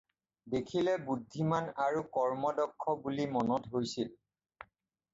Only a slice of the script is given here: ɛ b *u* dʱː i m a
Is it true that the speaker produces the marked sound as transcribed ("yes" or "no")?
yes